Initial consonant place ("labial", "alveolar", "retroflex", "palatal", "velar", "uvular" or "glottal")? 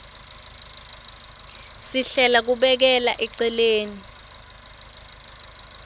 alveolar